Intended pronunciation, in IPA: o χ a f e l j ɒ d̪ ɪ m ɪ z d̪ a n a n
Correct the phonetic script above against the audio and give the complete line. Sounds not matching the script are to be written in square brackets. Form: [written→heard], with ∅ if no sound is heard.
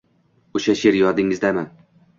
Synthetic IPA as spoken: o [χ→ʃ] a [f→ʃ] e [l→ɾ] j ɒ d̪ ɪ [m→ŋ] ɪ z d̪ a [n→m] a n